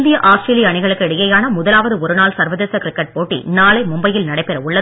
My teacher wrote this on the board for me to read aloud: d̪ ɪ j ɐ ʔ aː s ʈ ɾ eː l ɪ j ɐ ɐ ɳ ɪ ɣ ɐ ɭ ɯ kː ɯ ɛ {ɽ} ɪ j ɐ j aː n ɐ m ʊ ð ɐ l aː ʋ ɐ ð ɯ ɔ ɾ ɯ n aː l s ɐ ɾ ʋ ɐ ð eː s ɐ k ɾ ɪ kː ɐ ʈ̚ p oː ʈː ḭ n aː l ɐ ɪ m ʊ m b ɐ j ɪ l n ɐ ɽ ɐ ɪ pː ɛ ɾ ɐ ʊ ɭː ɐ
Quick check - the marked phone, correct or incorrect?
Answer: correct